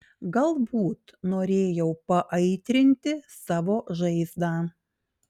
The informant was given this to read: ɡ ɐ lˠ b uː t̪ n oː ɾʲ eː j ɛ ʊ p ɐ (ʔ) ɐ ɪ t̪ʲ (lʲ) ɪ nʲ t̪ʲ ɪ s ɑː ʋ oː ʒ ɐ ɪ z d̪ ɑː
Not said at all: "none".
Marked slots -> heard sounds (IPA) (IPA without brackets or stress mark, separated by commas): ʔ, ɾʲ